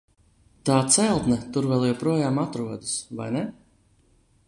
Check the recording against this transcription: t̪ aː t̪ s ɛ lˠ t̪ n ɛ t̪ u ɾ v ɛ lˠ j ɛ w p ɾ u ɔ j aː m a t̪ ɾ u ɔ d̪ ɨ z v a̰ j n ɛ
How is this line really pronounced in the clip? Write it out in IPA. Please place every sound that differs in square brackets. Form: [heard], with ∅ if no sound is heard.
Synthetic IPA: t̪ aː t̪ s ɛ lˠ t̪ n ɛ t̪ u ɾ v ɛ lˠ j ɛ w p ɾ u ɔ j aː m a t̪ ɾ u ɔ d̪ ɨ [s] v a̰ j n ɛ